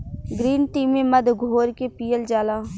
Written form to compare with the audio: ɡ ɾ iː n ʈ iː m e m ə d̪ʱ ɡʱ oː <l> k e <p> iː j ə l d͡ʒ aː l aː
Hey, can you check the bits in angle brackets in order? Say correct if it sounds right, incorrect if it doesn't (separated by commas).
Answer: incorrect, correct